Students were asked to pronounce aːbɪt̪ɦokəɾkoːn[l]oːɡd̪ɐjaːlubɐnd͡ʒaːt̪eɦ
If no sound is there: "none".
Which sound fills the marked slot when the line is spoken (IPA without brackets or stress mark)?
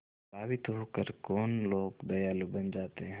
l